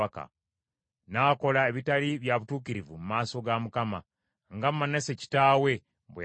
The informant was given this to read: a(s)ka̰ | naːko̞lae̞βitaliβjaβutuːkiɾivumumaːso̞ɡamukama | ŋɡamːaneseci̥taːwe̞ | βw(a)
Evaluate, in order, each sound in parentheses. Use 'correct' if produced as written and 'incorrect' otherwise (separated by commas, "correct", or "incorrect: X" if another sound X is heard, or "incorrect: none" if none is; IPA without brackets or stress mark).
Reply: incorrect: none, incorrect: e